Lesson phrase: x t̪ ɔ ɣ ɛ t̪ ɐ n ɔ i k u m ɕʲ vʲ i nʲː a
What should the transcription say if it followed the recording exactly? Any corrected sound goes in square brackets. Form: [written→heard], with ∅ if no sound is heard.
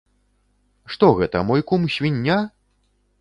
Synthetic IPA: [x→ʂ] t̪ ɔ ɣ ɛ t̪ ɐ [n→m] ɔ [i→j] k u m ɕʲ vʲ i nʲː a